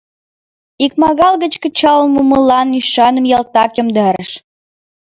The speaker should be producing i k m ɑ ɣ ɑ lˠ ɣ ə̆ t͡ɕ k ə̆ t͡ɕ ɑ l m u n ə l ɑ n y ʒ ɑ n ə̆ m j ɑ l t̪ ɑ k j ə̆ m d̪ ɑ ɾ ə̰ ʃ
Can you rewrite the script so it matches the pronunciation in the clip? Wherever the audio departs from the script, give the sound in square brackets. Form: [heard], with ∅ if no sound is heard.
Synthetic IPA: i k m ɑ ɣ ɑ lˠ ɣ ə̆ t͡ɕ k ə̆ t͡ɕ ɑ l m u [m] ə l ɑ n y [ʃ] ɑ n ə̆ m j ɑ l t̪ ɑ k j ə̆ m d̪ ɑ ɾ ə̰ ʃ